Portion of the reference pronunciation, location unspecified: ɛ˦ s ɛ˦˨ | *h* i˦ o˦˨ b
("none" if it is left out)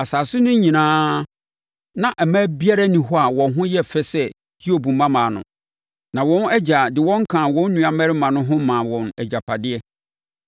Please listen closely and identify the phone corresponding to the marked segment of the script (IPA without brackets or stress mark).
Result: h